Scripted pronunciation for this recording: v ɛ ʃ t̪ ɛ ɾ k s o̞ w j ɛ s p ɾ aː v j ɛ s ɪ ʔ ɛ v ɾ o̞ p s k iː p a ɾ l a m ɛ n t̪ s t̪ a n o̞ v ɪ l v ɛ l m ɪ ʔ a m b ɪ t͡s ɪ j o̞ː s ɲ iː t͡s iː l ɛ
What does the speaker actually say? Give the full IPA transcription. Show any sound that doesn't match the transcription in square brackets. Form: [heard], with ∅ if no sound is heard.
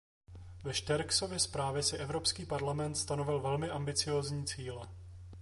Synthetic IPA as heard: v ɛ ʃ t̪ ɛ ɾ k s o̞ [v] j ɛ s p ɾ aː v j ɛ s ɪ ʔ ɛ v ɾ o̞ p s k iː p a ɾ l a m ɛ n t̪ s t̪ a n o̞ v ɪ l v ɛ l m ɪ ʔ a m b ɪ t͡s ɪ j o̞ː [z] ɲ iː t͡s iː l ɛ